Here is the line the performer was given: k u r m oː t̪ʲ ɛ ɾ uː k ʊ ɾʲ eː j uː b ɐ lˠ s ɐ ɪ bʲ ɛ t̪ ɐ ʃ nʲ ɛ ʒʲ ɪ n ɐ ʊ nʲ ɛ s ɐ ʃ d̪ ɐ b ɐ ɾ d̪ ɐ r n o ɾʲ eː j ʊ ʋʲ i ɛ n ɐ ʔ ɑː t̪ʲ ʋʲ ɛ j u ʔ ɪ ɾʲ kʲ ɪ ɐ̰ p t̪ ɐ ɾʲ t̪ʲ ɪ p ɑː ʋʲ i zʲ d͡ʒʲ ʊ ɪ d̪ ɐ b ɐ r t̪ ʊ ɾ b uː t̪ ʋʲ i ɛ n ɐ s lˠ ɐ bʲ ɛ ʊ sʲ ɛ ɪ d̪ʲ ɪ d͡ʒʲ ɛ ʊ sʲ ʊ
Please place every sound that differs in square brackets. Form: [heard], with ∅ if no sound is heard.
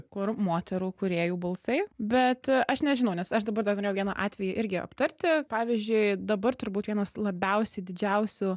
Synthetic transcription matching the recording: k [ʊ] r m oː t̪ʲ ɛ ɾ uː k ʊ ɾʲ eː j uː b ɐ lˠ s ɐ ɪ bʲ ɛ t̪ ɐ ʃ nʲ ɛ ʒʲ ɪ n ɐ ʊ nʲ ɛ s ɐ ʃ d̪ ɐ b ɐ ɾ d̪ ɐ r n o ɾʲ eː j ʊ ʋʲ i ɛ n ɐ ʔ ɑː t̪ʲ ʋʲ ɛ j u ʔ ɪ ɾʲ [ɡʲ] ɪ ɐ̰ p t̪ ɐ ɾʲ t̪ʲ ɪ p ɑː ʋʲ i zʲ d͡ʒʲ ʊ ɪ d̪ ɐ b ɐ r t̪ ʊ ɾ b uː t̪ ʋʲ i ɛ n ɐ s lˠ ɐ bʲ ɛ ʊ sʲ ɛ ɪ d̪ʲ ɪ d͡ʒʲ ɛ ʊ sʲ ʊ